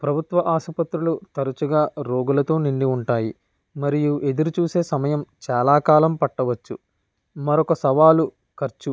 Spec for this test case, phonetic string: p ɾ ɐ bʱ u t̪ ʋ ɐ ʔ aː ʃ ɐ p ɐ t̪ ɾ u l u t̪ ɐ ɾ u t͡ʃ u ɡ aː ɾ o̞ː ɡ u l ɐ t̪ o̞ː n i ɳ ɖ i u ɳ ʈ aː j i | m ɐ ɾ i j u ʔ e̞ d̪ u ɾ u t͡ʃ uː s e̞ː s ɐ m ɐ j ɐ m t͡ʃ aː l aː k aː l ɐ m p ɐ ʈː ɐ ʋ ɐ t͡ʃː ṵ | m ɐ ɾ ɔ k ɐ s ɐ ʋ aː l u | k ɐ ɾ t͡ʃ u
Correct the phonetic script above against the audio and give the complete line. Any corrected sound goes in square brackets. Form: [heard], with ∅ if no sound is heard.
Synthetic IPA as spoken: p ɾ ɐ bʱ u t̪ ʋ ɐ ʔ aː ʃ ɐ p ɐ t̪ ɾ u l u t̪ ɐ ɾ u t͡ʃ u ɡ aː ɾ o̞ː ɡ u l ɐ t̪ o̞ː n i ɳ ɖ i u ɳ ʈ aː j i | m ɐ ɾ i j u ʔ e̞ d̪ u ɾ u t͡ʃ uː s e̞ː s ɐ m ɐ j ɐ m t͡ʃ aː l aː k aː l ɐ m p ɐ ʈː ɐ ʋ ɐ t͡ʃː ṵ | m ɐ ɾ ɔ k ɐ s ɐ ʋ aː l u | k ɐ ɾ t͡ʃ u